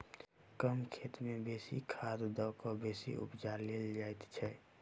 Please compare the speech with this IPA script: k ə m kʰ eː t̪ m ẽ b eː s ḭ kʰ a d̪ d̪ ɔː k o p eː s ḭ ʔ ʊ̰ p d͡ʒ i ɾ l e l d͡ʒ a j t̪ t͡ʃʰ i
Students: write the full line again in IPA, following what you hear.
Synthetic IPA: k ə m kʰ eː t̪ m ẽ b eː s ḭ kʰ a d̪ d̪ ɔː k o b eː s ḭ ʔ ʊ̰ p d͡ʒ a ɾ l e l d͡ʒ a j t̪ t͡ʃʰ ɛ